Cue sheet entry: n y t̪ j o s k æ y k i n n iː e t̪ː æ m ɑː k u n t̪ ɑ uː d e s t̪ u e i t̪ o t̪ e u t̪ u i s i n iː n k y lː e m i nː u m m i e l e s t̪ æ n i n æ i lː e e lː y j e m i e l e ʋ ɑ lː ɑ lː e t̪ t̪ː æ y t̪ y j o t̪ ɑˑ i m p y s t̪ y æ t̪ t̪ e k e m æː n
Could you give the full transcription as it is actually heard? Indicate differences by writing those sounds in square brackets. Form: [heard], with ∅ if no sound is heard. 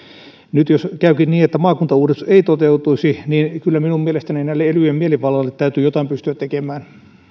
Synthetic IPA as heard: n y t̪ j o s k æ y k i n n iː e t̪ː æ m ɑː k u n t̪ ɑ uː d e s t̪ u e i t̪ o t̪ e u t̪ u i s i n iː n k y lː [æ] m i [n] u m m i e l e s t̪ æ n i n æ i lː e e [l] y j e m i e l [i] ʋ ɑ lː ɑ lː e t̪ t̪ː æ y t̪ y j o t̪ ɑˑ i m p y s t̪ y æ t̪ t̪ e k e m æː n